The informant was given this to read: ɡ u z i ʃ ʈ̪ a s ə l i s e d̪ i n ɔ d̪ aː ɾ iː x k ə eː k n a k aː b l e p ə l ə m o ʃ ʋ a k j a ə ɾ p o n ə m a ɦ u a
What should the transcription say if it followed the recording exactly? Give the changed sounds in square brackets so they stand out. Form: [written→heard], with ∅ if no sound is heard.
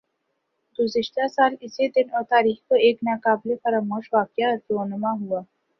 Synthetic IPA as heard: ɡ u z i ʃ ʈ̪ a s [ə→a] l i s e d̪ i n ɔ [d̪→t̪] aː ɾ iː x k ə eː k n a k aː b l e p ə [l→ɾ] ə m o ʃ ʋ a k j a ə ɾ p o n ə m a ɦ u a